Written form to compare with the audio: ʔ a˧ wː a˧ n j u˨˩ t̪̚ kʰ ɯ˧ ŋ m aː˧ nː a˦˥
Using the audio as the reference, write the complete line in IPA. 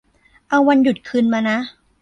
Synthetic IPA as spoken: ʔ a˧ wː a˧ n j u˨˩ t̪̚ kʰ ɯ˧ n m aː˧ n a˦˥